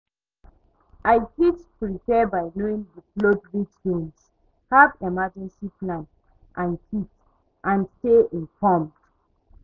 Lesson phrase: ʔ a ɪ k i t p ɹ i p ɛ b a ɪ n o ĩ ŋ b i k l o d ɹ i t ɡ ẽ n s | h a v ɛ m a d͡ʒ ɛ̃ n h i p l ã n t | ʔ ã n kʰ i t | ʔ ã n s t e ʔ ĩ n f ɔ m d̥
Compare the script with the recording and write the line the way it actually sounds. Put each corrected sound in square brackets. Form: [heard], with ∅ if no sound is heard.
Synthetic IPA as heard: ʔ a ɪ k i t p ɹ i p ɛ b a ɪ n o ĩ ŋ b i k l o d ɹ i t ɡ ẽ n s | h a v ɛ m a d͡ʒ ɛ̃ n [s] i p l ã n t | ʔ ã n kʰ i t | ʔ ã n s t e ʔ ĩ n f ɔ m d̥